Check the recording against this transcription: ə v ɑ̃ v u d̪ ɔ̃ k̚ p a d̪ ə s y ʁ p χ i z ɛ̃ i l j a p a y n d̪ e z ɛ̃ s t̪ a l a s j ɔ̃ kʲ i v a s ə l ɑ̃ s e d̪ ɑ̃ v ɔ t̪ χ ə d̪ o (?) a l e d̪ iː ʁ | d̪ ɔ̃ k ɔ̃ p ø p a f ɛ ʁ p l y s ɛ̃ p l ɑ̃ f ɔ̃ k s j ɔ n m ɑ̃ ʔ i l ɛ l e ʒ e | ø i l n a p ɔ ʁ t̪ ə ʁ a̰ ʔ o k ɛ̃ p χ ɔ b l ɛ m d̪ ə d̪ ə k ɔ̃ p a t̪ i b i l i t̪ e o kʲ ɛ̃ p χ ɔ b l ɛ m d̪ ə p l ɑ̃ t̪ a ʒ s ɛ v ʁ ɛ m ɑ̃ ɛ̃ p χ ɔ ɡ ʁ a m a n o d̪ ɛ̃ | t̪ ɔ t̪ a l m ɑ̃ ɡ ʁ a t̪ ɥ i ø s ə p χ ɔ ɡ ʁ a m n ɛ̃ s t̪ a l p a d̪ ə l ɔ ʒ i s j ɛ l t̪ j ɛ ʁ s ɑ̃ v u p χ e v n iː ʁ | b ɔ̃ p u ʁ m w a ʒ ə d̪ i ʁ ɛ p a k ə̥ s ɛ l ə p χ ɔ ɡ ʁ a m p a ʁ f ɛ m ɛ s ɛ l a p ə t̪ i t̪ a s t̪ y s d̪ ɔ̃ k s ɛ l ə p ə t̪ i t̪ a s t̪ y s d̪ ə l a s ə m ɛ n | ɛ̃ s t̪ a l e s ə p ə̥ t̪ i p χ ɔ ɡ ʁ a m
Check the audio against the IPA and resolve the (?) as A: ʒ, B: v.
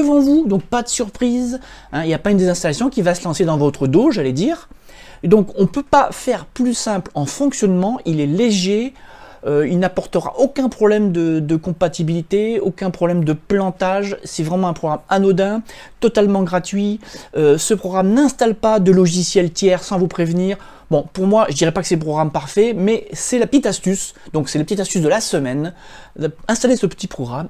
A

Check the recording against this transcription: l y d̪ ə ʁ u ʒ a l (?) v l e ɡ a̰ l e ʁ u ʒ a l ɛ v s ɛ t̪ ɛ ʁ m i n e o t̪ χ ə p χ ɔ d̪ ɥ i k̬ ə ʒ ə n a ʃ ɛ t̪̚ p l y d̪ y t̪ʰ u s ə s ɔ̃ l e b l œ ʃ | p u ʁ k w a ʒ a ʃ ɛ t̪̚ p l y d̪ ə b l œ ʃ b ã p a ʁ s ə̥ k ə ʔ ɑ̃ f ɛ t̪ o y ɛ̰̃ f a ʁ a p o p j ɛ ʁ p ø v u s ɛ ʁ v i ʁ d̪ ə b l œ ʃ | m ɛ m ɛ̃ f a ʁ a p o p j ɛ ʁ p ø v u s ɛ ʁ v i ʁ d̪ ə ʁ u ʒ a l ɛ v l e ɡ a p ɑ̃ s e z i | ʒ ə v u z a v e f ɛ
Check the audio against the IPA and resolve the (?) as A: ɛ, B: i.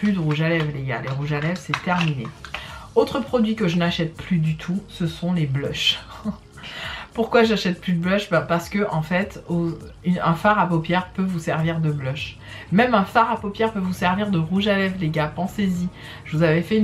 A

